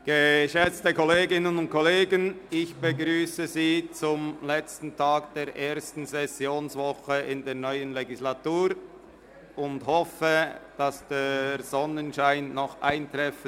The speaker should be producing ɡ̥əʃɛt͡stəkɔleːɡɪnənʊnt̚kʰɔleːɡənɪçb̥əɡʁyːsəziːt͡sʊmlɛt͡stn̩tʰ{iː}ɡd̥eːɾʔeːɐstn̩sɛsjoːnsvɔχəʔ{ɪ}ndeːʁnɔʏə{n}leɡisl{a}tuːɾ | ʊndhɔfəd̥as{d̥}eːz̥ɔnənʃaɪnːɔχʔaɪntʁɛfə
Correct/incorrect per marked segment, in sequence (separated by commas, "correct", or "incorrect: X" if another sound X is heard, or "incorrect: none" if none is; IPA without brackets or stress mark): incorrect: aː, correct, correct, correct, correct